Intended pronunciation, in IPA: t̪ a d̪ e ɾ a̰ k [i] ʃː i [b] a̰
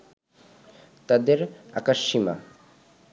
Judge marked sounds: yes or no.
no, no

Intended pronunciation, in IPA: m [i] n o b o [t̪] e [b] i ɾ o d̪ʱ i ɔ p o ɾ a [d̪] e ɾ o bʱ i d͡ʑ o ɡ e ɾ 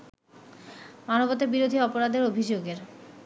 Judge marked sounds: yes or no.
no, yes, yes, yes

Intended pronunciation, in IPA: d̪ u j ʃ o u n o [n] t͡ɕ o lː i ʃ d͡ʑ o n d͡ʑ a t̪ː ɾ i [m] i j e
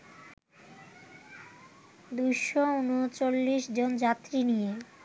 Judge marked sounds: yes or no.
no, no

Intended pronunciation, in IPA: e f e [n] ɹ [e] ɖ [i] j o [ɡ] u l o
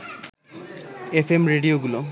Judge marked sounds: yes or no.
no, yes, yes, yes

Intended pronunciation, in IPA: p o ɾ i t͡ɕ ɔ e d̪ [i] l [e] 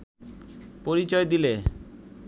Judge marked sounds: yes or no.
yes, yes

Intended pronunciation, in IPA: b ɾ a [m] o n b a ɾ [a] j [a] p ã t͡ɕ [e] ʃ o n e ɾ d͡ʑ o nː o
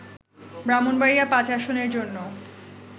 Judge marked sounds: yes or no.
yes, no, yes, no

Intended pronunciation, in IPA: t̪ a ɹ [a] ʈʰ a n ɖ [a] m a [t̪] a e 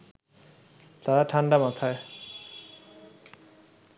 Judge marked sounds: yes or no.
yes, yes, no

